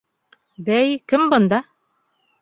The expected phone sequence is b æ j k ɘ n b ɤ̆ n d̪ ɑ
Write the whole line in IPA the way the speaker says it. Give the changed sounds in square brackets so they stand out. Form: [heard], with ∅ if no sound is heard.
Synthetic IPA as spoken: b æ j k ɘ [m] b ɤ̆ n d̪ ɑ